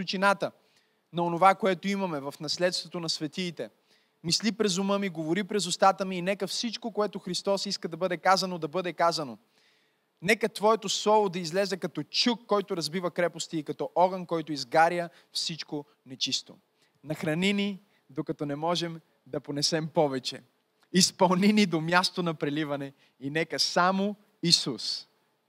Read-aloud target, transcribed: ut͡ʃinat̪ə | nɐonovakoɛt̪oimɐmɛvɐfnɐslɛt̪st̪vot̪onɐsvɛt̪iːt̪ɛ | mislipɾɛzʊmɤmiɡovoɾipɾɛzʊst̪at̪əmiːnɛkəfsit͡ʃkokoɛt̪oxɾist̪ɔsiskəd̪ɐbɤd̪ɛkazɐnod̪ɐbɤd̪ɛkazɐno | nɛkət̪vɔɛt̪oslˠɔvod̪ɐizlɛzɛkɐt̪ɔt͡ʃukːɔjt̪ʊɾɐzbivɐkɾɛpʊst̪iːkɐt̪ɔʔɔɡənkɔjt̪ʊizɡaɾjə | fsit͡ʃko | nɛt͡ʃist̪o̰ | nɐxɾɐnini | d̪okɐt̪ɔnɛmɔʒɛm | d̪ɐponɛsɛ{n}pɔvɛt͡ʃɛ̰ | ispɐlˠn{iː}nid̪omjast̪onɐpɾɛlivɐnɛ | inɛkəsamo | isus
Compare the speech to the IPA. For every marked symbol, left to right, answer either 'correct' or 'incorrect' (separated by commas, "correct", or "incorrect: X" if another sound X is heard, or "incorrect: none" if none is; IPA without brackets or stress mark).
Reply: incorrect: m, incorrect: i